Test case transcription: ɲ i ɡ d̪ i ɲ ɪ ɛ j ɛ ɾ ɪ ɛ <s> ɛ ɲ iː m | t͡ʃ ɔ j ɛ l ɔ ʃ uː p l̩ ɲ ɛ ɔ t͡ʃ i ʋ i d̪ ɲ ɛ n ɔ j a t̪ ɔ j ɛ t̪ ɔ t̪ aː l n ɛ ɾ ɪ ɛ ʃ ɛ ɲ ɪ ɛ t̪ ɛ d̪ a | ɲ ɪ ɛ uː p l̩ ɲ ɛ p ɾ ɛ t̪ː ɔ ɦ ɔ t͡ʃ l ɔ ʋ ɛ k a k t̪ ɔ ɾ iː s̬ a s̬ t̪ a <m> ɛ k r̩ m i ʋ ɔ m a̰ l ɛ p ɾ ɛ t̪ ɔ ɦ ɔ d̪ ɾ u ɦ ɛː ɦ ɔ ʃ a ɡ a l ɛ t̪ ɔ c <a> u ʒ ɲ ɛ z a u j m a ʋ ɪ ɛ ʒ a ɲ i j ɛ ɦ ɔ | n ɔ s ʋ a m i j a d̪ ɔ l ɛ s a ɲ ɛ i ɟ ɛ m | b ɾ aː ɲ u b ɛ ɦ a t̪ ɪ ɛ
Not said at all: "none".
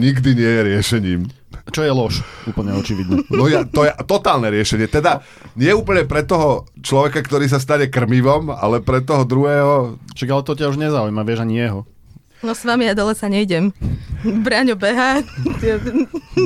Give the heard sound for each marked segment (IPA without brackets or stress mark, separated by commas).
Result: ʃ, ɲ, a